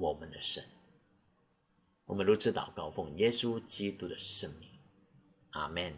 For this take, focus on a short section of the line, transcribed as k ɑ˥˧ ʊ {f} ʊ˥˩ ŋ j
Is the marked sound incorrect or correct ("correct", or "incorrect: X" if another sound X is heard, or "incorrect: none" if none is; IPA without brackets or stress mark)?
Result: correct